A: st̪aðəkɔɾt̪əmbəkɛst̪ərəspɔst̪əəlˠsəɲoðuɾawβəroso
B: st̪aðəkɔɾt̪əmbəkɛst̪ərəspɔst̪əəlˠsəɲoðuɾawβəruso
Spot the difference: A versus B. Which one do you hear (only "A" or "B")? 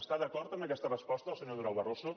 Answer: A